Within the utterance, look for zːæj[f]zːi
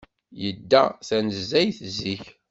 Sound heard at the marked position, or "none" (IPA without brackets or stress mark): θ